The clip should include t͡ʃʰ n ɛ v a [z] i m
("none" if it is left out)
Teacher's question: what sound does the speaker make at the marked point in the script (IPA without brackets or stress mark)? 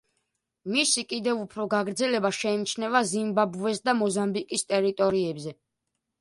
z